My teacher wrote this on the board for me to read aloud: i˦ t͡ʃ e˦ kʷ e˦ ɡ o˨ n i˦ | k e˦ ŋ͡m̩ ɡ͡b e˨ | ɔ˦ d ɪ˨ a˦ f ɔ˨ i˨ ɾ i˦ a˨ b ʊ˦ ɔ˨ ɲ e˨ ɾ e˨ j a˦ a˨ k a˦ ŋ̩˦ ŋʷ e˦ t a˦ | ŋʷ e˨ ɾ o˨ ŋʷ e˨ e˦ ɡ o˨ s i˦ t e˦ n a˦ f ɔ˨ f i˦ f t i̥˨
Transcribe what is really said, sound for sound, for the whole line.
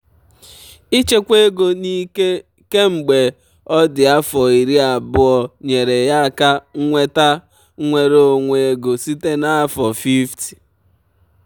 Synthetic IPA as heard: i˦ t͡ʃ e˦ kʷ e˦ ɡ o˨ n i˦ | k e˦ ŋ͡m̩ ɡ͡b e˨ | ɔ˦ d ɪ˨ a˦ f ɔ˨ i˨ ɾ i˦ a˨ b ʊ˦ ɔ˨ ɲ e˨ ɾ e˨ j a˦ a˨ k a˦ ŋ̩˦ ŋʷ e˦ t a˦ | ŋʷ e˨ ɾ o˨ ŋʷ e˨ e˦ ɡ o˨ s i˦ t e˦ n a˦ f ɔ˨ f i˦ f t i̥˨